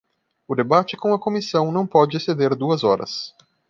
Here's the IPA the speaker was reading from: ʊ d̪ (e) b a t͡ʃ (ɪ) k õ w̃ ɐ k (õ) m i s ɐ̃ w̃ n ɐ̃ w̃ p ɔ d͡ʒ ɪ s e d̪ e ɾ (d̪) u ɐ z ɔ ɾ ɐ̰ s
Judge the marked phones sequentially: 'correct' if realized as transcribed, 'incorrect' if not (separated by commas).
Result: correct, correct, incorrect, correct